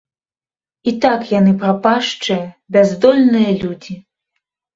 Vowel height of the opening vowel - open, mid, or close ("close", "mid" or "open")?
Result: close